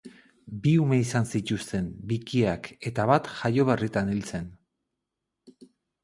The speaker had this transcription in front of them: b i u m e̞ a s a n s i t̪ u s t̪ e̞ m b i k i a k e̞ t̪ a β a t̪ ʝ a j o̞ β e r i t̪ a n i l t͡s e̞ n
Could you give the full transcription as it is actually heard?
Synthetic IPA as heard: b i u m e̞ i s a n s i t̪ u s t̪ e̞ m b i k i a k e̞ t̪ a β a t̪ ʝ a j o̞ β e r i t̪ a n i l t͡s e̞ n